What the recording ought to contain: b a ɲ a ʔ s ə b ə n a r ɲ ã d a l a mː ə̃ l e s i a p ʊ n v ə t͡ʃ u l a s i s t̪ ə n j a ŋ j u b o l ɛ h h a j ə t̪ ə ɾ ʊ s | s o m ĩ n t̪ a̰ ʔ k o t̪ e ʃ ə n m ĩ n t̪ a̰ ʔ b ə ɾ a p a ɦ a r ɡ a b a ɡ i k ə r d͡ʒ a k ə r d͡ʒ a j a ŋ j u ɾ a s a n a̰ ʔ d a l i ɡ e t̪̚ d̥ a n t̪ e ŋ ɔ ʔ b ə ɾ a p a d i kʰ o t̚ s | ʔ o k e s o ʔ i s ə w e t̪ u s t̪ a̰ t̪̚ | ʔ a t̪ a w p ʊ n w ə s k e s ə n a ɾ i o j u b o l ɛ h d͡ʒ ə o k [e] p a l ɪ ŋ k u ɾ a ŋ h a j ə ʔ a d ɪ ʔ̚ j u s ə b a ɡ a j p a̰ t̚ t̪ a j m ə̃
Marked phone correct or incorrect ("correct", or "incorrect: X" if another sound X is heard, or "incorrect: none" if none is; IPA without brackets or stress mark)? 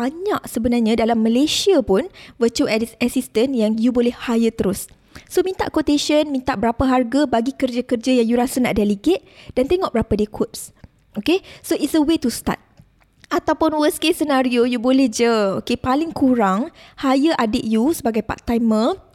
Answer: correct